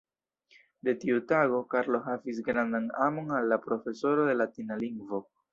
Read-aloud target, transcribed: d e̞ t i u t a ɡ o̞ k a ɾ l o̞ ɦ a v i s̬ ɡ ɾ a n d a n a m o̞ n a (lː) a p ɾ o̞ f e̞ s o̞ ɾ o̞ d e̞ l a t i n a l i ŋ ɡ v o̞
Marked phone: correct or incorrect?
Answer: correct